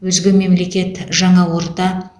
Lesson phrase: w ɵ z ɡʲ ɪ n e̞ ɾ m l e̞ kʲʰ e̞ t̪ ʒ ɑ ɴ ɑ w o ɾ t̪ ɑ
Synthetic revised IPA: w ɵ z ɡʲ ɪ m e̞ m l e̞ kʲ e̞ t̪ ʒ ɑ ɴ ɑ w o ɾ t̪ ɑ